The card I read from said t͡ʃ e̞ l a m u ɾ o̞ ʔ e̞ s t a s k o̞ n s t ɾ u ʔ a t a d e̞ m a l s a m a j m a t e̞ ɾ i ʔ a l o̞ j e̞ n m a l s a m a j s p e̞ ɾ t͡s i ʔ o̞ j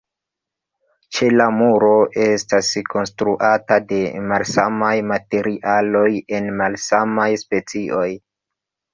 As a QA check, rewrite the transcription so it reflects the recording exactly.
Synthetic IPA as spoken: t͡ʃ e̞ l a m u ɾ o̞ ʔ e̞ s t a s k o̞ n s t ɾ u ʔ a t a d e̞ m a l s a m a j m a t e̞ ɾ i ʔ a l o̞ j e̞ n m a l s a m a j s p e̞ t͡s i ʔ o̞ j